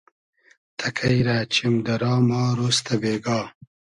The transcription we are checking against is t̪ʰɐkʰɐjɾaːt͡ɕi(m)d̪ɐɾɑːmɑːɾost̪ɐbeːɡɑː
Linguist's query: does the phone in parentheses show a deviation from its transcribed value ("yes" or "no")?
no